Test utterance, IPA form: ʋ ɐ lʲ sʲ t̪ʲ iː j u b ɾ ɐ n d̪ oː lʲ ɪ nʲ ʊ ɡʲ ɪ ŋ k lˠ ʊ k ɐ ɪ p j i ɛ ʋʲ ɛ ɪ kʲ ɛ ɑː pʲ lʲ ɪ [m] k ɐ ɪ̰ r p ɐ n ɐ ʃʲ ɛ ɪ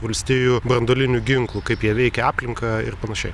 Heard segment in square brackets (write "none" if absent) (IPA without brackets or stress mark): ŋ